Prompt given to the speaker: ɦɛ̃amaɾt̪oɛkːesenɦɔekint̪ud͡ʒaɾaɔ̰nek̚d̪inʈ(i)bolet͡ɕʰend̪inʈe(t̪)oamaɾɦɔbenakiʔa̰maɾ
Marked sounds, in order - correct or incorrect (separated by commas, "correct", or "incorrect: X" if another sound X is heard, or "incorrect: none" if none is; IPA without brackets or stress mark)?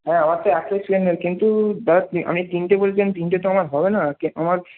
incorrect: e, correct